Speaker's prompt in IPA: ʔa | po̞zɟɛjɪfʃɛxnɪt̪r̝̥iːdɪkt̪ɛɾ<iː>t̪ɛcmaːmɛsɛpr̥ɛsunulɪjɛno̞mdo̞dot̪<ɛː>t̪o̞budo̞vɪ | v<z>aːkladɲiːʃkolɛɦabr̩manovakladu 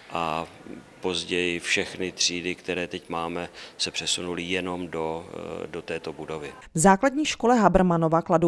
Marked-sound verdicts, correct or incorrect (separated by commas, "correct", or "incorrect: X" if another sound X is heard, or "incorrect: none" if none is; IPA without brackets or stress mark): incorrect: ɛː, correct, correct